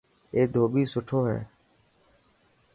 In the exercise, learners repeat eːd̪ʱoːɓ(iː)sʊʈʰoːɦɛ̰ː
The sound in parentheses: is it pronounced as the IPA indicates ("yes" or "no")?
yes